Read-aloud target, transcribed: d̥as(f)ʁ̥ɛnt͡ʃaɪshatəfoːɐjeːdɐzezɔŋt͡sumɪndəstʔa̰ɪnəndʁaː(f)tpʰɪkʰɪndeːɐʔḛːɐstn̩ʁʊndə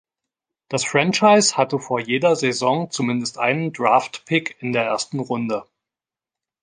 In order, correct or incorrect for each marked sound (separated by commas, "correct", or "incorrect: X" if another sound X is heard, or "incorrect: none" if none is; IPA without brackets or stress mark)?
correct, correct